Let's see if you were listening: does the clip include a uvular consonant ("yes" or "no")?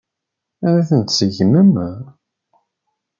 no